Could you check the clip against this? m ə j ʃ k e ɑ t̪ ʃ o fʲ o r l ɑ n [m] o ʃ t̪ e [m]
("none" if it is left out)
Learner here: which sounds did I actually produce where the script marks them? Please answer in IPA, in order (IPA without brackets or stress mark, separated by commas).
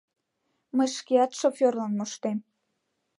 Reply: m, m